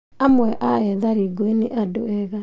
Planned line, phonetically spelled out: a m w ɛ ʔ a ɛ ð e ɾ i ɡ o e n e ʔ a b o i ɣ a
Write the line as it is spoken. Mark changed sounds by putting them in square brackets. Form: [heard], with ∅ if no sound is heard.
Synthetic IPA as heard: a m w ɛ ʔ a ɛ ð [a] ɾ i ɡ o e n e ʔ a [d] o [ɛ] ɣ a